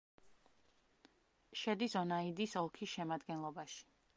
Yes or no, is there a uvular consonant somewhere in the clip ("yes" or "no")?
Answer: no